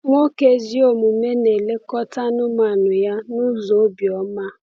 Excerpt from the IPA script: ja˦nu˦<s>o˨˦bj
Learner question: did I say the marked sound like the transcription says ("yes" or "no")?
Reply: no